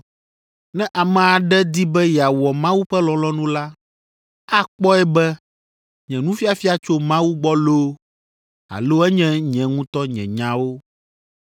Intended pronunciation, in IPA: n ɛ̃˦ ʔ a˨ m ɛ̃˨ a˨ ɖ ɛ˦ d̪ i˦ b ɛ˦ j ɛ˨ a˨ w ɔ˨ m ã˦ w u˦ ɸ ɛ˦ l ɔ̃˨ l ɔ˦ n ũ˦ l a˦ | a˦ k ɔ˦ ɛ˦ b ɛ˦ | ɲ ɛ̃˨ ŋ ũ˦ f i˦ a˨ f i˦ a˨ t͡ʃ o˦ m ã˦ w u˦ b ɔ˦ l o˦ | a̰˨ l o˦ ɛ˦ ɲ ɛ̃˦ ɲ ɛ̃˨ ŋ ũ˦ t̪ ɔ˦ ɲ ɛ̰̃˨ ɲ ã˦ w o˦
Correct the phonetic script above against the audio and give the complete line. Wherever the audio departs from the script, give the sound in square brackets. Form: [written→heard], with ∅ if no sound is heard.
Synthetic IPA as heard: n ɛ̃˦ ʔ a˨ m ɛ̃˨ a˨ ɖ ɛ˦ d̪ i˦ b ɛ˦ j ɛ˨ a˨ w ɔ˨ m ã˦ w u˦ ɸ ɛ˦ l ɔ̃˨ l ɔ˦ n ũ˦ l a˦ | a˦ [k→k͡p] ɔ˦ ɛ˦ b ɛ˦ | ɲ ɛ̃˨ [ŋ→n] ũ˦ f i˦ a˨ f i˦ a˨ t͡ʃ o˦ m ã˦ w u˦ [b→ɡ͡b] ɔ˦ l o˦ | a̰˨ l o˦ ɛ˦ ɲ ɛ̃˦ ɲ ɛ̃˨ ŋ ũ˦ t̪ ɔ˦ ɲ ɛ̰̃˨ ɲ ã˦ w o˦